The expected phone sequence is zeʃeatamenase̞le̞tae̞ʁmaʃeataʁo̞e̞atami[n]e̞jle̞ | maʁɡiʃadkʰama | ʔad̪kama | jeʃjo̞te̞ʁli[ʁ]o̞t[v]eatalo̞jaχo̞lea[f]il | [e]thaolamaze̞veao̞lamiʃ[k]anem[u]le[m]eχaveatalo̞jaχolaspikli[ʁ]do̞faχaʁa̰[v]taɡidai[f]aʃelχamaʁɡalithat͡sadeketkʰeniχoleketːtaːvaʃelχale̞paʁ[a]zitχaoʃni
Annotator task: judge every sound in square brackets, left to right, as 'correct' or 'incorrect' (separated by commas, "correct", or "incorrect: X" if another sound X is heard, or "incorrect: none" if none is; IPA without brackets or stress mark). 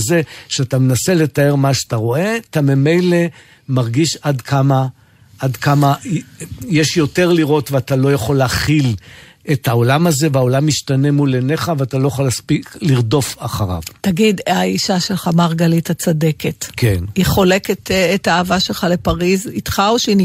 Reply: incorrect: m, correct, correct, incorrect: χ, correct, incorrect: t, correct, incorrect: n, correct, correct, incorrect: ʃ, incorrect: i